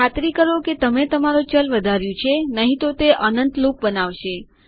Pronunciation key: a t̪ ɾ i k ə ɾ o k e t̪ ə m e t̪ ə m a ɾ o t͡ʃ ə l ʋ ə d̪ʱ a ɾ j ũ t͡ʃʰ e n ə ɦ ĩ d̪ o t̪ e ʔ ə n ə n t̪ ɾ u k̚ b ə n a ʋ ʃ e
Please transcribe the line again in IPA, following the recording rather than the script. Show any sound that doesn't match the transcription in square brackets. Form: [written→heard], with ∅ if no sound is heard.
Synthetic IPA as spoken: a t̪ ɾ i k ə ɾ o k e t̪ ə m e t̪ ə m a ɾ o t͡ʃ ə l ʋ ə d̪ʱ a ɾ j ũ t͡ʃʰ e n ə ɦ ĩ [d̪→t̪] o t̪ e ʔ ə n ə n t̪ [ɾ→l] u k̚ b ə n a ʋ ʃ e